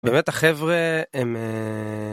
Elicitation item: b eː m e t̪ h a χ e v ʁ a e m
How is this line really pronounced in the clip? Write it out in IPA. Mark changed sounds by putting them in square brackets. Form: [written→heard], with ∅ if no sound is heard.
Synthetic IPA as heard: b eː m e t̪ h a χ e v ʁ [a→e] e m

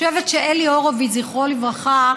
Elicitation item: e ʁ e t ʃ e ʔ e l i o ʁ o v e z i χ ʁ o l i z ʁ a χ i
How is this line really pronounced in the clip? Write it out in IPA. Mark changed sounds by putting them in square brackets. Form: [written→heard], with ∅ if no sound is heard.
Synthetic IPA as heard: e [ʁ→v] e t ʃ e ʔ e l i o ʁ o v [e→i] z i χ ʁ o l i [z→v] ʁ a χ [i→a]

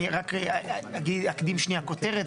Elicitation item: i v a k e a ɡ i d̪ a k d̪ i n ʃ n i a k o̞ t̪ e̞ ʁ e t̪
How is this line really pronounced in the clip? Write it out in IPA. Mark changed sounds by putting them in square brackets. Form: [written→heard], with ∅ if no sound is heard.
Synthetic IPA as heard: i [v→ʁ] a k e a ɡ i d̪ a k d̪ i [n→m] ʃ n i a k o̞ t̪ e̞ ʁ e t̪

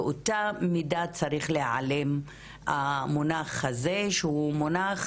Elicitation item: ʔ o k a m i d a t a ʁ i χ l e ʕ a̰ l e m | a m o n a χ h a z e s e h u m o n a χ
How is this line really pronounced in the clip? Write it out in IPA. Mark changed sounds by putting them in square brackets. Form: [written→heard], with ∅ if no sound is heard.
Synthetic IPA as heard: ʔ o [k→t] a m i d a [t→t͡s] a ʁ i χ l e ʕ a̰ l e m | a m o n a χ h a z e [s→ʃ] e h u m o n a χ

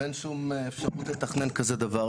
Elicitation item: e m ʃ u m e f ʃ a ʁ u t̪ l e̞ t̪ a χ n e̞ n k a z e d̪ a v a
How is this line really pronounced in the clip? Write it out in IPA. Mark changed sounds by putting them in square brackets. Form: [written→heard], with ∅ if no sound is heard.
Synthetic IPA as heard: e [m→n] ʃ u m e f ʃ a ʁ u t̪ l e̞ t̪ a χ n e̞ n k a z e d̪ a v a

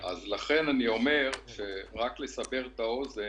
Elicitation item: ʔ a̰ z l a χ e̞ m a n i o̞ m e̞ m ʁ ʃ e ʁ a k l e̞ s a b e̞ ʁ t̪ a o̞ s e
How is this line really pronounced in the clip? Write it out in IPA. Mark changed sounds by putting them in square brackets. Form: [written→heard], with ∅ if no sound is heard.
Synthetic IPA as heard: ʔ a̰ z l a χ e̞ [m→n] a n i o̞ m e̞ [m→∅] ʁ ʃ e ʁ a k l e̞ s a b e̞ ʁ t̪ a o̞ [s→z] e

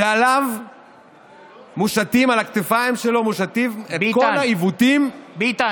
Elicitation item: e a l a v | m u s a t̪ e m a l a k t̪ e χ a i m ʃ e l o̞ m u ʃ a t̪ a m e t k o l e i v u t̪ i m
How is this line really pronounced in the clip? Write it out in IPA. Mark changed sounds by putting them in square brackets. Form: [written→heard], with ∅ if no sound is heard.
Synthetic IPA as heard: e a l a v | m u [s→ʃ] a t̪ [e→i] m a l a k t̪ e [χ→f] a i m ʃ e l o̞ m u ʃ a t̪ [a→i] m e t k o l [e→a] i v u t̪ i m

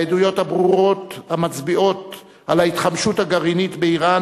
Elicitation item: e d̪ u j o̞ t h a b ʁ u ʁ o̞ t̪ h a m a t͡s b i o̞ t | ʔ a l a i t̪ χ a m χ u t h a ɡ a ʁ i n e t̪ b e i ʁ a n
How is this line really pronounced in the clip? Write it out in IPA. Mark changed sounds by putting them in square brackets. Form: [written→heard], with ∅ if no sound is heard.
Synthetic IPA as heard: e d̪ u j o̞ t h a b ʁ u ʁ o̞ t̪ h a m a t͡s b i o̞ t | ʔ a l a i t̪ χ a m [χ→ʃ] u t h a ɡ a ʁ i n [e→i] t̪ b e i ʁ a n

